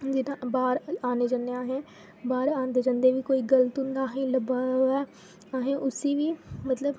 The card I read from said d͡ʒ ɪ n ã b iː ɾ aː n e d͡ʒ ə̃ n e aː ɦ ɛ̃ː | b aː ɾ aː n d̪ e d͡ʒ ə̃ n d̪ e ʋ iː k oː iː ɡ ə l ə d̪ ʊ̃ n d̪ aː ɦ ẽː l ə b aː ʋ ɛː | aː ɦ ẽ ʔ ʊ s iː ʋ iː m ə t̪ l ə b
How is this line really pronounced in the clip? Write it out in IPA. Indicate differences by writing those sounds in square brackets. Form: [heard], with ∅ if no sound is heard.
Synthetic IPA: d͡ʒ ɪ n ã b [aː] ɾ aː n e d͡ʒ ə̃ n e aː ɦ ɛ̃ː | b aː ɾ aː n d̪ e d͡ʒ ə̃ n d̪ e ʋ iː k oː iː ɡ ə l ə [t̪] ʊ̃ n d̪ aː ɦ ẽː l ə b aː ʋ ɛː | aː ɦ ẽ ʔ ʊ s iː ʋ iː m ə t̪ l ə b